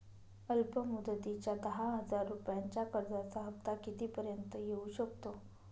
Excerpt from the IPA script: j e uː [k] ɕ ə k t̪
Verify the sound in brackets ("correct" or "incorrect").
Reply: incorrect